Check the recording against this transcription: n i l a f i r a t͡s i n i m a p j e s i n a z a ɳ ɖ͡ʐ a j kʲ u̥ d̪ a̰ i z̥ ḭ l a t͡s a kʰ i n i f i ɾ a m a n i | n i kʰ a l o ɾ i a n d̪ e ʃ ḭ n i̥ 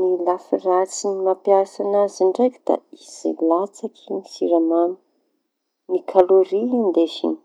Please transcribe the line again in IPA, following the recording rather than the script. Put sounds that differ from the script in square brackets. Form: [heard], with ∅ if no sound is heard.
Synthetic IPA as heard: n i l a f i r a t͡s i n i m a p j [a] s [a] n a z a ɳ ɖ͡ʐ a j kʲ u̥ d̪ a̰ i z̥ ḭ l a t͡s a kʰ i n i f i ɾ a m a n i | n i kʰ a l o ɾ i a n d̪ e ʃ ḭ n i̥

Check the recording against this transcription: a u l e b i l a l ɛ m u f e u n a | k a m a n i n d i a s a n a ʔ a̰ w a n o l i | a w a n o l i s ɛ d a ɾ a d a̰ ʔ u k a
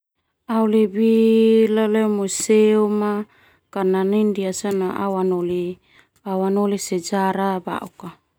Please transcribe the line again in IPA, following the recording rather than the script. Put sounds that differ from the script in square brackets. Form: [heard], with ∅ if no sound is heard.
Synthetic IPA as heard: a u l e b i l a l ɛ m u [s] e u [m] a | k a [n] a n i n d i a s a n a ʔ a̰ w a n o l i | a w a n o l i s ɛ [d͡ʒ] a ɾ a [b] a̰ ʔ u k a

